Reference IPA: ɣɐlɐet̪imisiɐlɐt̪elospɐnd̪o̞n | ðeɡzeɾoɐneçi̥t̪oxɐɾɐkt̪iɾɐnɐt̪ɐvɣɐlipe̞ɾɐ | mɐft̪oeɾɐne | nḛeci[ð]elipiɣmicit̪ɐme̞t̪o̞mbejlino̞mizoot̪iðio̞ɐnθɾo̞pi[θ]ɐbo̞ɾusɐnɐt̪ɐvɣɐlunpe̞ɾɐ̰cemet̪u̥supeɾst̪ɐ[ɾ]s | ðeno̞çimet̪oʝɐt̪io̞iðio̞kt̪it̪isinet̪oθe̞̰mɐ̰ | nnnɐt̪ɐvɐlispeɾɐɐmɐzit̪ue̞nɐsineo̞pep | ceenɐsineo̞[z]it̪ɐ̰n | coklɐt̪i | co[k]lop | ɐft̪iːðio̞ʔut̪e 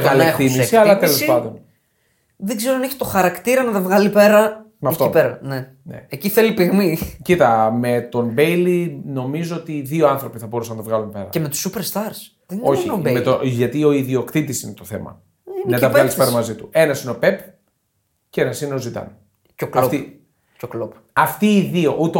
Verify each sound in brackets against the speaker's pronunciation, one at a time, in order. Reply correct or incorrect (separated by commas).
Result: incorrect, correct, correct, correct, correct